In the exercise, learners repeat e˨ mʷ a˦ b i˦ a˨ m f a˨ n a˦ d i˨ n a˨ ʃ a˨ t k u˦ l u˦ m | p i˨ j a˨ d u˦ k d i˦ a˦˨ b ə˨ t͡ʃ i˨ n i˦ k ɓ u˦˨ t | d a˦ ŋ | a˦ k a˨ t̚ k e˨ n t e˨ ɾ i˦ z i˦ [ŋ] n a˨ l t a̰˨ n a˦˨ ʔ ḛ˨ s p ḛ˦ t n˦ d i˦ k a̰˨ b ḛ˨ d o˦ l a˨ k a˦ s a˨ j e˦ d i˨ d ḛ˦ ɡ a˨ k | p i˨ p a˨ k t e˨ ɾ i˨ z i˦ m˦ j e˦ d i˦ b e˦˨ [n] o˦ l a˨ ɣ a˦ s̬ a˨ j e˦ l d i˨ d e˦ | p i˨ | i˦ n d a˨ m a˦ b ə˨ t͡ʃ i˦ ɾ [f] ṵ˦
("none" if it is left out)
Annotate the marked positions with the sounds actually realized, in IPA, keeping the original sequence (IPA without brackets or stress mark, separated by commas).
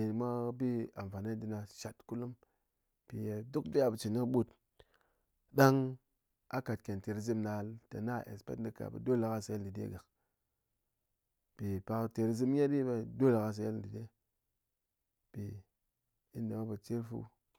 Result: m, d, f